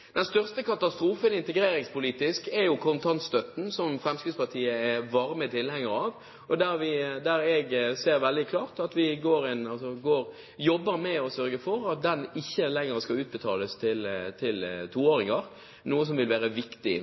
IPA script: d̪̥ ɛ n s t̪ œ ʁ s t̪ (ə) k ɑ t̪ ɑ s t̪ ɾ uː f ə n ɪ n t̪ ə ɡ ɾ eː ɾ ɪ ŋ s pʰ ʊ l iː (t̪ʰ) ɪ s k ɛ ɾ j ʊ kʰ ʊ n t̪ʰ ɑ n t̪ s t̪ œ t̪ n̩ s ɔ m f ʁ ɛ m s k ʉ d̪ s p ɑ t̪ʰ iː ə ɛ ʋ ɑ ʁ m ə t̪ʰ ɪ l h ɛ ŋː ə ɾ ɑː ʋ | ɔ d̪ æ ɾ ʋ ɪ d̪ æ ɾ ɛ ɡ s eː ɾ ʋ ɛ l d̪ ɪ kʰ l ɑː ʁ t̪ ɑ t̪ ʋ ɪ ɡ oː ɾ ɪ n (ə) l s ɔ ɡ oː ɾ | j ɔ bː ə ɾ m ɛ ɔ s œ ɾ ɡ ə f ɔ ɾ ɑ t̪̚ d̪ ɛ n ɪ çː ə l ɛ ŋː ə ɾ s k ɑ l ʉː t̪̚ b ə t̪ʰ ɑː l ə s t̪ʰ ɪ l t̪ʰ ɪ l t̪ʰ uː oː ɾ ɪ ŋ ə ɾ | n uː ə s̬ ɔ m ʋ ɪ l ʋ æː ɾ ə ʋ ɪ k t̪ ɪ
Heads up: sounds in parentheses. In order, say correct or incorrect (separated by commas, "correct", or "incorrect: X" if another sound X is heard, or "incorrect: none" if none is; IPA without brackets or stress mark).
correct, incorrect: t̪, incorrect: ɑ